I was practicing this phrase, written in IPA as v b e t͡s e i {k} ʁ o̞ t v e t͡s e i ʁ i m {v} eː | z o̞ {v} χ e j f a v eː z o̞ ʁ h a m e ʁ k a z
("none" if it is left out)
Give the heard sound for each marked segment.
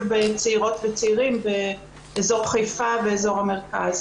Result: none, b, ʁ

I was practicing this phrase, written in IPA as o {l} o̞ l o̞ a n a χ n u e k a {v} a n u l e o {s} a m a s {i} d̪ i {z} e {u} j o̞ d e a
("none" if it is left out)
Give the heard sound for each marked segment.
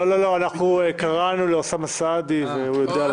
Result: l, ʁ, s, a, v, u

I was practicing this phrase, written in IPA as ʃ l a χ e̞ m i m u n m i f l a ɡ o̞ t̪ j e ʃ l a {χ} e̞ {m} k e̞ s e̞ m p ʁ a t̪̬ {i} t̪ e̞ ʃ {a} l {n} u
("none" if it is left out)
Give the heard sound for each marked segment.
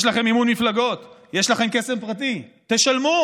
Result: χ, m, i, a, m

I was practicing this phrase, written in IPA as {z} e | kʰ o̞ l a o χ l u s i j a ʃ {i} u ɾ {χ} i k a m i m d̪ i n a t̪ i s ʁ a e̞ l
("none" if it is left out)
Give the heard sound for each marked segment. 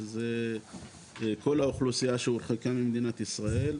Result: z, e, χ

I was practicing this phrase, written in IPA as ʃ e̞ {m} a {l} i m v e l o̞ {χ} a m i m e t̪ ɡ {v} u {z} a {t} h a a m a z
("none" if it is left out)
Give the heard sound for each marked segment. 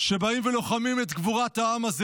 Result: b, none, χ, v, ʁ, t

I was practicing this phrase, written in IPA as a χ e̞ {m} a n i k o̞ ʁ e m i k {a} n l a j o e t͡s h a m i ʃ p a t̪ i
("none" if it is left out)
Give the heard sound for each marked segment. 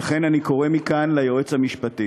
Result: n, a

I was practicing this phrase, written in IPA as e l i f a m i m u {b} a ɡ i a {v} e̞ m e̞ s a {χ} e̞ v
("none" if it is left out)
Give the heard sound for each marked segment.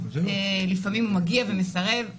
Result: m, v, ʁ

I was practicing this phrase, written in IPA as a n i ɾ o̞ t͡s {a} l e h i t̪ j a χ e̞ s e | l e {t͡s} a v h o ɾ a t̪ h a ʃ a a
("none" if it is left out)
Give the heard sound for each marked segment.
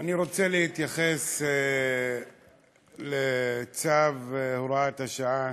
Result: e, t͡s

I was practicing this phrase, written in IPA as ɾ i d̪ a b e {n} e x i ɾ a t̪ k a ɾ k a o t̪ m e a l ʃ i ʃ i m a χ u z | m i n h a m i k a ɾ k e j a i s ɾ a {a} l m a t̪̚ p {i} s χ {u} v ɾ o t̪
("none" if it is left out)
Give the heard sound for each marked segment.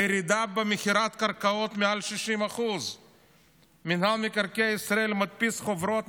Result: m, e, i, o

